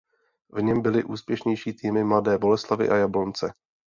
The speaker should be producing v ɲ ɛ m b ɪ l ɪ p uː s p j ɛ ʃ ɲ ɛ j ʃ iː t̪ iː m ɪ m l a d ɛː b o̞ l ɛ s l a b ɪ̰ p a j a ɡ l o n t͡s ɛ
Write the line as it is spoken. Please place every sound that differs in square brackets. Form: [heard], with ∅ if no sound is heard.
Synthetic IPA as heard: v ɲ ɛ m b ɪ l ɪ [ʔ] uː s p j ɛ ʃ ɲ ɛ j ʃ iː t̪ iː m ɪ m l a d ɛː b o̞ l ɛ s l a [v] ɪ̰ [ʔ] a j a [b] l o n t͡s ɛ